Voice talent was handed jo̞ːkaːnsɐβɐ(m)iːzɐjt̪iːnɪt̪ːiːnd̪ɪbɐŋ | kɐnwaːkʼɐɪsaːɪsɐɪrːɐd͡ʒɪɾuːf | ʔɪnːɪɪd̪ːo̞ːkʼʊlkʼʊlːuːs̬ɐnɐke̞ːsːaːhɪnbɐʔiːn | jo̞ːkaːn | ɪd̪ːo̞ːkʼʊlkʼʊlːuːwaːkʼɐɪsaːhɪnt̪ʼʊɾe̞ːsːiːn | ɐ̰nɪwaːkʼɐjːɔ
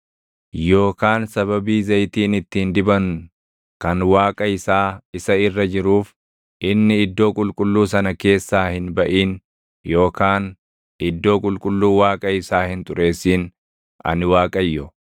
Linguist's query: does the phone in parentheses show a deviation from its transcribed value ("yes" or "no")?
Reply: yes